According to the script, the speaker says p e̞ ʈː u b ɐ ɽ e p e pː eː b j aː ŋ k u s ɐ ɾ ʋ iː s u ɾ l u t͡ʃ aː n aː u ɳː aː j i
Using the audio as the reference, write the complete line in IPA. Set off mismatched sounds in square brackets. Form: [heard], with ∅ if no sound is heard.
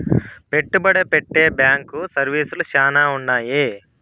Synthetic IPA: p e̞ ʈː u b ɐ ɽ e p e [ʈː] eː b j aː ŋ k u s ɐ ɾ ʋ iː s u [∅] l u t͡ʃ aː n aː u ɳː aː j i